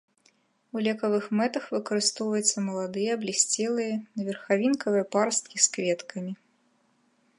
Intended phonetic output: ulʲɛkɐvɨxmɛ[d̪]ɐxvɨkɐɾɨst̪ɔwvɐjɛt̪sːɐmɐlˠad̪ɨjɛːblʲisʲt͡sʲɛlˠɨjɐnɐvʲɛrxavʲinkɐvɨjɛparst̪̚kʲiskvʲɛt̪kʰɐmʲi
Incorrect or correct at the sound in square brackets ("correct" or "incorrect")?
incorrect